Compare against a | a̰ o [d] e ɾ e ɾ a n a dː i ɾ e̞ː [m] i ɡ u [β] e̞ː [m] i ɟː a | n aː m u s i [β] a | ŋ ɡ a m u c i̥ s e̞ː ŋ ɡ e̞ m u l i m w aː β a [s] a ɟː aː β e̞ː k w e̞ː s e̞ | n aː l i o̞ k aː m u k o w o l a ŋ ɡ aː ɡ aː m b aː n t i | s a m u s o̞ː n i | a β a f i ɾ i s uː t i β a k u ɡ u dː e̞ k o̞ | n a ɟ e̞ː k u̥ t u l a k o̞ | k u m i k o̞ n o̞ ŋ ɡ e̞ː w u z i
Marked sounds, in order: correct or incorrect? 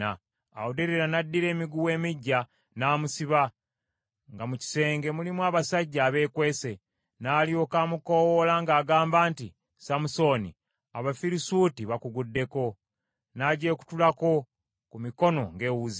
correct, correct, incorrect: w, correct, correct, correct

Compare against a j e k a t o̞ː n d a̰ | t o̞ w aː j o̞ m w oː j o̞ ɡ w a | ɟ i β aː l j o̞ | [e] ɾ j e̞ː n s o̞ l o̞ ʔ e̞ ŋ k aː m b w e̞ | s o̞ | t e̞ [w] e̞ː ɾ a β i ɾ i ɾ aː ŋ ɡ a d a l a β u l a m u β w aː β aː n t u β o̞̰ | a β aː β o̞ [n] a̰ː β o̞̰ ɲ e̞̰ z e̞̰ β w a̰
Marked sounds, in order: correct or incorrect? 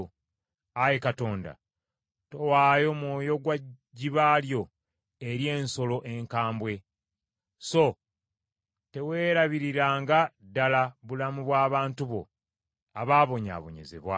correct, correct, incorrect: ɲ

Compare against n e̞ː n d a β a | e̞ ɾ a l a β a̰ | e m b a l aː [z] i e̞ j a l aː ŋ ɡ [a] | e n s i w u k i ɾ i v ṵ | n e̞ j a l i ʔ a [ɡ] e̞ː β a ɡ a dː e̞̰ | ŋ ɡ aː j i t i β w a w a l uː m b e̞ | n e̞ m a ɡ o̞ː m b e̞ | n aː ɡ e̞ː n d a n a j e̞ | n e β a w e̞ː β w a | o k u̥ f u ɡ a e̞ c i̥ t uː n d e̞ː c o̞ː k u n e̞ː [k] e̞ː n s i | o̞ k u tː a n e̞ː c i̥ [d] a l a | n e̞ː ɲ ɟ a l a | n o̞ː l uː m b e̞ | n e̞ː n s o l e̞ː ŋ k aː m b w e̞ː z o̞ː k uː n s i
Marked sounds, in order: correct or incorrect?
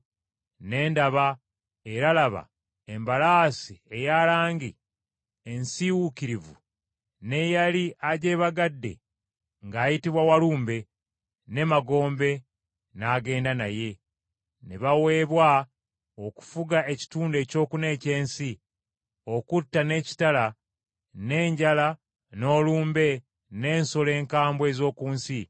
incorrect: s, incorrect: i, incorrect: ɟ, incorrect: c, incorrect: t

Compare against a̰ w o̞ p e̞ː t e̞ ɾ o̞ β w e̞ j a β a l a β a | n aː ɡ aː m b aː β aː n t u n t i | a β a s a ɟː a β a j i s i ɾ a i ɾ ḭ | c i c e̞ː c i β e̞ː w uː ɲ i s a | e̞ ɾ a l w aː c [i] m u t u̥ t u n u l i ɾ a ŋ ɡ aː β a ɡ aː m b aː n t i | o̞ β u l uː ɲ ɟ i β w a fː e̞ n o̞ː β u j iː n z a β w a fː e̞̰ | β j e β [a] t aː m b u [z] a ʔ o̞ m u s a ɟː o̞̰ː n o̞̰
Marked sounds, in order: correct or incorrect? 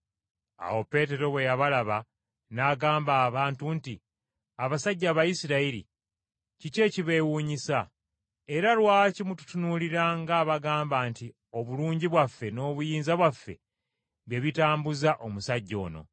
correct, incorrect: i, correct

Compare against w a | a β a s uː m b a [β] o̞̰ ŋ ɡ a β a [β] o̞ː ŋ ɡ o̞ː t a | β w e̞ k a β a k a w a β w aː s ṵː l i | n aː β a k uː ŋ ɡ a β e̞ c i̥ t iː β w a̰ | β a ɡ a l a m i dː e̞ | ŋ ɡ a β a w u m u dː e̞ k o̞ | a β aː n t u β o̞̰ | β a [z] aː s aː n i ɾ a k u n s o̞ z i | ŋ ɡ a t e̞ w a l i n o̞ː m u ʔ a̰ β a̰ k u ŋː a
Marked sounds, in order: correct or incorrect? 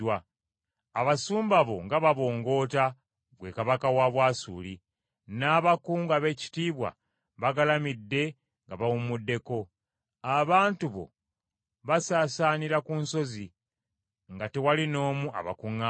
correct, correct, incorrect: s

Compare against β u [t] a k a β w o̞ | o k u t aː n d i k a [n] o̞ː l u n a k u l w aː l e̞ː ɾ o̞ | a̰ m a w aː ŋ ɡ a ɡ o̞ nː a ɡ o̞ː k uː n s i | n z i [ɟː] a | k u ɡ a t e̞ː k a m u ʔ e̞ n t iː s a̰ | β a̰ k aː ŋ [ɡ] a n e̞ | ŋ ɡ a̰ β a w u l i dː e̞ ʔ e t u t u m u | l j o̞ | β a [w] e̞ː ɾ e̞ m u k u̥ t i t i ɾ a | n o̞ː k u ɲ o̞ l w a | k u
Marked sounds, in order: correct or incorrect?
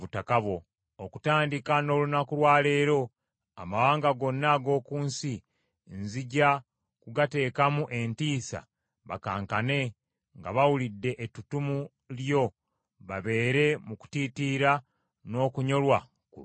correct, correct, incorrect: ɟ, incorrect: k, incorrect: β

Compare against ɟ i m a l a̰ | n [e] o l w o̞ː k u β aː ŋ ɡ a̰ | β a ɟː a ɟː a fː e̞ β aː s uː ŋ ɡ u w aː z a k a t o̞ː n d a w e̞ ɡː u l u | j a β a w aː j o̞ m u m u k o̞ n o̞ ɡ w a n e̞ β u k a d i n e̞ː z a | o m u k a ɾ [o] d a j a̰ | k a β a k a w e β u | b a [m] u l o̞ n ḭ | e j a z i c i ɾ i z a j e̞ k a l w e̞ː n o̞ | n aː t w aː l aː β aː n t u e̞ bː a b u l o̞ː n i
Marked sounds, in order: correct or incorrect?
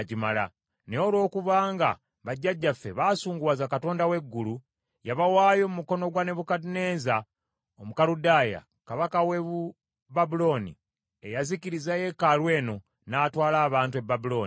correct, incorrect: u, incorrect: b

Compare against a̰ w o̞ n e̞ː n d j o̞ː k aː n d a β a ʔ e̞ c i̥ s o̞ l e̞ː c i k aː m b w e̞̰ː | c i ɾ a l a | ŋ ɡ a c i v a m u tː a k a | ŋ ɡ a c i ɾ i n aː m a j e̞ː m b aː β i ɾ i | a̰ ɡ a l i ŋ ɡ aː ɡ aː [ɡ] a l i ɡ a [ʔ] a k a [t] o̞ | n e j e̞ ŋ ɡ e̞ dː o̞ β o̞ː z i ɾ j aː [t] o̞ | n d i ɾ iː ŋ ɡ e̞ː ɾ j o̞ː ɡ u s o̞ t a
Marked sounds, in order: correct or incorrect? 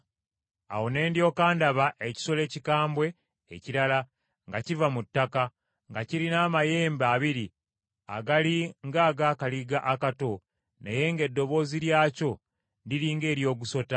incorrect: k, correct, correct, incorrect: c

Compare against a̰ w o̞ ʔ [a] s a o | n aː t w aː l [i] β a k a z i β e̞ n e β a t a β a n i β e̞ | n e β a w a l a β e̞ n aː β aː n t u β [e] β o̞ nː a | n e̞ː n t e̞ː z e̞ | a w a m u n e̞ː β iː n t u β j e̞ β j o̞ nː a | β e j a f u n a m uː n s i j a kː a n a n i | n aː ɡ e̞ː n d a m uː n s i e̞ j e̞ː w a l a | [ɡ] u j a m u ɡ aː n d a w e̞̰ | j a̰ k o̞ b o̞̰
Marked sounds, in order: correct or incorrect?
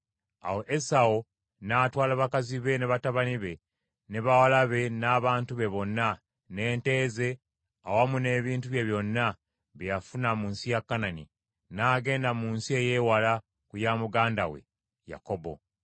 incorrect: e, incorrect: a, correct, incorrect: k

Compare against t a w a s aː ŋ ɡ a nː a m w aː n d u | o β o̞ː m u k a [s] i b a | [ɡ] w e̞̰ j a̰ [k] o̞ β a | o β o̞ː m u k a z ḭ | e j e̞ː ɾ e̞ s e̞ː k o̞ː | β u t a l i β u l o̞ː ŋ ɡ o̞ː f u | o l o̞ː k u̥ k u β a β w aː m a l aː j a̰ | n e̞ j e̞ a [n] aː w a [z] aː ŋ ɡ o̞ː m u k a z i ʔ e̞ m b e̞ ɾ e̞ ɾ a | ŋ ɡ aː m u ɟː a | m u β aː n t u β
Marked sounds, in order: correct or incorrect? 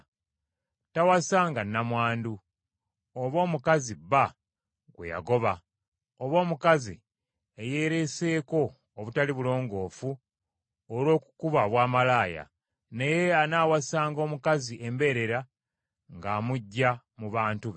incorrect: z, correct, incorrect: ɡ, correct, incorrect: s

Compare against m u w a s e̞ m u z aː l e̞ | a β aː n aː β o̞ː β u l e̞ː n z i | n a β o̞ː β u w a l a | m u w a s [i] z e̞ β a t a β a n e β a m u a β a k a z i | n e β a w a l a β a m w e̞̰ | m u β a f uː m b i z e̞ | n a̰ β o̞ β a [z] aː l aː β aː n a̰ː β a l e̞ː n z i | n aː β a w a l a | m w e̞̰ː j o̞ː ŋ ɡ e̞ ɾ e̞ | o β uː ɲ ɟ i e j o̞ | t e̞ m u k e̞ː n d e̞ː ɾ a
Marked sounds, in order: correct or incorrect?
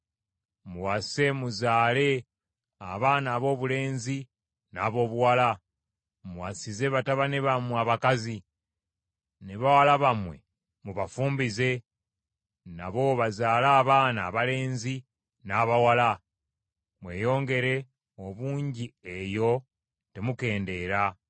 correct, correct

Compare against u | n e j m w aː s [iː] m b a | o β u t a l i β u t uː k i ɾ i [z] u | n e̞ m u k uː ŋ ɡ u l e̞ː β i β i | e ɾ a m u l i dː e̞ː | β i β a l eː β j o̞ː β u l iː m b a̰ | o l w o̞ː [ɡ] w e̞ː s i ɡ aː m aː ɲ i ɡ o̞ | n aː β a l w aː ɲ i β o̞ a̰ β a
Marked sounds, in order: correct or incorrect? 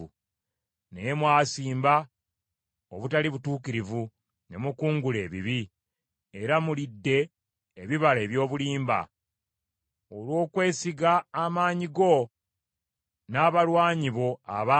correct, incorrect: v, incorrect: k

